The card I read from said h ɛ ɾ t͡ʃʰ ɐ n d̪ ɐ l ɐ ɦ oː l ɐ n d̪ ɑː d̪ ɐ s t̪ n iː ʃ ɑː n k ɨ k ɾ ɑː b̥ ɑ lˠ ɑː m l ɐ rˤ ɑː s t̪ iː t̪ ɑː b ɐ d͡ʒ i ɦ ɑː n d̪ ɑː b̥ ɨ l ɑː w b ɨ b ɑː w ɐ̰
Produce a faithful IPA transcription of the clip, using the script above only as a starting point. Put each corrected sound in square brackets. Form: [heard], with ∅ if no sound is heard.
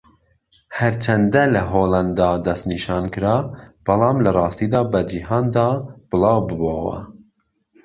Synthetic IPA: h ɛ ɾ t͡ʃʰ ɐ n d̪ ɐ l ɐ ɦ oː l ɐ n d̪ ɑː d̪ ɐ s t̪ n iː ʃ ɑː n k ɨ [∅] ɾ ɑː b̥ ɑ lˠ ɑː m l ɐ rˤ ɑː s t̪ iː [d̪] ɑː b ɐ d͡ʒ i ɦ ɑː n d̪ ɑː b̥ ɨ l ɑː w b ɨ b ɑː w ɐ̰